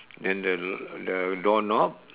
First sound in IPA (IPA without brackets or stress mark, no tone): d